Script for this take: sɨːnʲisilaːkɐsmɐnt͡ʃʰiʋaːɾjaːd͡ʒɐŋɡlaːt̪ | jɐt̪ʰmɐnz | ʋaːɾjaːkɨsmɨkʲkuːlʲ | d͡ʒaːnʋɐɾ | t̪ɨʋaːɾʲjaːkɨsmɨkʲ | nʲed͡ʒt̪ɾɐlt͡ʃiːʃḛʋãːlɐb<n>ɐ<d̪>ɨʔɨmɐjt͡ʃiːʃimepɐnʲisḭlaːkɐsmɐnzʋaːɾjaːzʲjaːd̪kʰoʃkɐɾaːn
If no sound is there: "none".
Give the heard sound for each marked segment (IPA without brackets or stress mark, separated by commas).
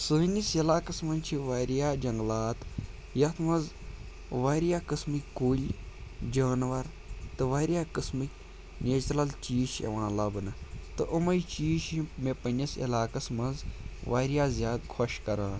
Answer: n, t̪